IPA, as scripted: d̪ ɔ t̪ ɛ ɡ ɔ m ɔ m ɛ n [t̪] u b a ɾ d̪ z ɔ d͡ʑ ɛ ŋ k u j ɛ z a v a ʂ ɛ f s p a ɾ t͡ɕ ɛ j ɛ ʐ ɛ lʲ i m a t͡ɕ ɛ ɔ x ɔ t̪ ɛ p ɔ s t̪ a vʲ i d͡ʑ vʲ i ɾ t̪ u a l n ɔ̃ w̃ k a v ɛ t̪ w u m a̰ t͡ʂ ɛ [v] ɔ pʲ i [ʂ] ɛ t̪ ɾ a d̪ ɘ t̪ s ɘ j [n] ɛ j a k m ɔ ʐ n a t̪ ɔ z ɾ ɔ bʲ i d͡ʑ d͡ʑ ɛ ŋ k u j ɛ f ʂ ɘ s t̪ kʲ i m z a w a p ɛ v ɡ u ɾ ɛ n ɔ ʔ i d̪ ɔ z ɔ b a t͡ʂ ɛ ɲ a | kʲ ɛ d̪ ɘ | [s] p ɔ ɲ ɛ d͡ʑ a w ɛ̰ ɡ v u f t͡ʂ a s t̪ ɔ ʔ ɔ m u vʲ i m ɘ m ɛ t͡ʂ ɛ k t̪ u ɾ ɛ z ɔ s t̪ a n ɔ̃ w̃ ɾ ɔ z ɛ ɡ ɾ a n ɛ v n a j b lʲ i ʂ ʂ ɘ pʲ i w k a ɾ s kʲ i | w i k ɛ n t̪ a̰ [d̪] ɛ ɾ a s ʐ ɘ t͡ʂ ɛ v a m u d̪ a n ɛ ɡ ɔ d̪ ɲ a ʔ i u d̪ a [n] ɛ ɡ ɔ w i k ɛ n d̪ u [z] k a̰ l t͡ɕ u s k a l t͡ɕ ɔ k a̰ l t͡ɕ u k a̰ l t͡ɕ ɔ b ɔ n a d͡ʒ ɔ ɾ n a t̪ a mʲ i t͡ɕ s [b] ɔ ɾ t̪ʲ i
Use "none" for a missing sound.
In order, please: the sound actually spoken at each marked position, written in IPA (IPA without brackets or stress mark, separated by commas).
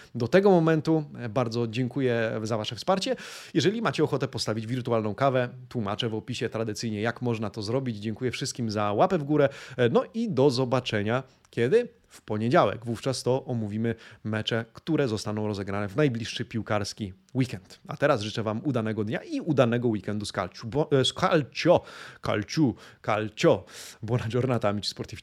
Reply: t̪, v, ɕ, ɲ, f, t̪, n, s, p